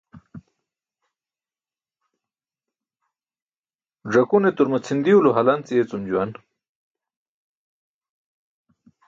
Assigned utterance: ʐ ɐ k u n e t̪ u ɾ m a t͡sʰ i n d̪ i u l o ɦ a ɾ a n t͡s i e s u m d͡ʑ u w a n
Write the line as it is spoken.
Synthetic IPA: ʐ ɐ k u n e t̪ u ɾ m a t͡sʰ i n d̪ i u l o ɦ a l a n t͡s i e t͡s u m d͡ʑ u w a n